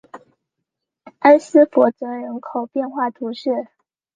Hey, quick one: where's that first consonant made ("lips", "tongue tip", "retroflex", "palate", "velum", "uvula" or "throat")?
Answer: tongue tip